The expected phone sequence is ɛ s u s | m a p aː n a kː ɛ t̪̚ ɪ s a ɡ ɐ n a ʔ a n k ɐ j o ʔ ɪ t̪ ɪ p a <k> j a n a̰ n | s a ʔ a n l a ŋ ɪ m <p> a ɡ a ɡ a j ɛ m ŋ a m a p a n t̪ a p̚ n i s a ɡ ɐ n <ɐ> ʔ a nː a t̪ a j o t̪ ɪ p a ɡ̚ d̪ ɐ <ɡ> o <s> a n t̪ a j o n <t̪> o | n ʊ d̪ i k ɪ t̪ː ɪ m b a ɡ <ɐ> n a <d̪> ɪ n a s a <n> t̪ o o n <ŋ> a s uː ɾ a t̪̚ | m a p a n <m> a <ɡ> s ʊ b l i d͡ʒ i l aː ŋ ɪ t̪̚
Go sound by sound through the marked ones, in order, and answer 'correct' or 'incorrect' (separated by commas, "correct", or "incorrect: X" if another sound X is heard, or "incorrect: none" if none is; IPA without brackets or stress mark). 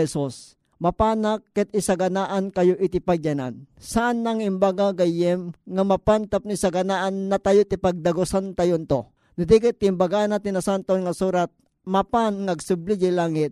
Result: incorrect: ɡ, incorrect: b, incorrect: a, correct, correct, correct, incorrect: a, incorrect: t̪, correct, correct, incorrect: ŋ, correct